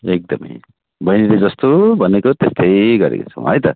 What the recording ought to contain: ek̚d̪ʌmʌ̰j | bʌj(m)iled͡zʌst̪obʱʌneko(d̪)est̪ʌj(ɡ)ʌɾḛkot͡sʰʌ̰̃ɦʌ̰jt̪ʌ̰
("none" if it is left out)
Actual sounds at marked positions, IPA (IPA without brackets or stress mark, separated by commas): n, t̪, ɡ